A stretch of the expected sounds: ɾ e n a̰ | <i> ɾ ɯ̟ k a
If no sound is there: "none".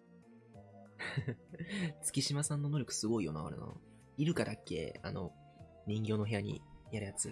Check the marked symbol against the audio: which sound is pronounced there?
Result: i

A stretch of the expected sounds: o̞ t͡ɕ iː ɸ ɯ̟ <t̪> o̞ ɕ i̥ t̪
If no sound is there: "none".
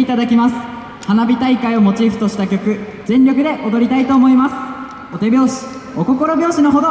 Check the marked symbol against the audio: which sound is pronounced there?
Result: t̪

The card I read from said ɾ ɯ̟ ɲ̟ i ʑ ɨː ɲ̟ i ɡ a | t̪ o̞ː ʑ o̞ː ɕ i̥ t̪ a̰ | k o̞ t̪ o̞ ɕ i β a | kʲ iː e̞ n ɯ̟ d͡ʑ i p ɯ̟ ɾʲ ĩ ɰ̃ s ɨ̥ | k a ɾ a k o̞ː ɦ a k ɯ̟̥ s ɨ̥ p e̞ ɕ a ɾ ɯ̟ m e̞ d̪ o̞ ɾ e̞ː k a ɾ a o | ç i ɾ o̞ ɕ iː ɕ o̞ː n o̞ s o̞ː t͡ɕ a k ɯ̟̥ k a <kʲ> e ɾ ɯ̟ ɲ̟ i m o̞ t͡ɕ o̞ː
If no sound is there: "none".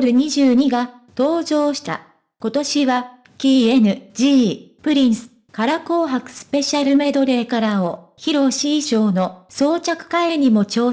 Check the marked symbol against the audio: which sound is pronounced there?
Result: none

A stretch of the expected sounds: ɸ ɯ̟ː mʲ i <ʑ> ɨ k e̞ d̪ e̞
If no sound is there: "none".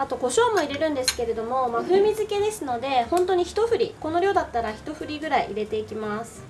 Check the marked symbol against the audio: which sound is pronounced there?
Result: z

